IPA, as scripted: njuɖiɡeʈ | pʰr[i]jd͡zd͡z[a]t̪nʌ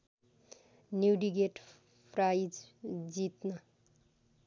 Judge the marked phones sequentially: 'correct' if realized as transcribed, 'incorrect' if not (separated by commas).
incorrect, incorrect